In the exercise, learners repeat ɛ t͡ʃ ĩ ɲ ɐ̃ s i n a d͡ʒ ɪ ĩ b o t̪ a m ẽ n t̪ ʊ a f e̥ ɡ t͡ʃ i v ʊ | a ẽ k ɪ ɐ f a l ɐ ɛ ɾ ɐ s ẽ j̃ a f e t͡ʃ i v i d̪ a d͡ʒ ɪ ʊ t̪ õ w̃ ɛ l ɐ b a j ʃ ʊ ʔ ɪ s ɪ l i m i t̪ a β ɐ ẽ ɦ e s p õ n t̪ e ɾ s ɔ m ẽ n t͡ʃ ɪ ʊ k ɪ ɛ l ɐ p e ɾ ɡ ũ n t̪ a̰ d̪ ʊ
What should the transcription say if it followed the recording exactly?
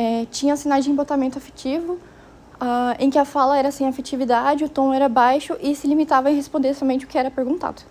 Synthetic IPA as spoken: ɛ t͡ʃ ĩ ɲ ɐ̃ s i n a d͡ʒ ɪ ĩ b o t̪ a m ẽ n t̪ ʊ a f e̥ t͡ʃ i v ʊ | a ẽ k ɪ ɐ f a l ɐ ɛ ɾ ɐ s ẽ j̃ a f e t͡ʃ i v i d̪ a d͡ʒ ɪ ʊ t̪ õ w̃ ɛ ɾ ɐ b a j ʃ ʊ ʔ ɪ s ɪ l i m i t̪ a v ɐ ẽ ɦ e s p õ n d̪ e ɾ s ɔ m ẽ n t͡ʃ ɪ ʊ k ɪ ɛ ɾ ɐ p e ɾ ɡ ũ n t̪ a̰ d̪ ʊ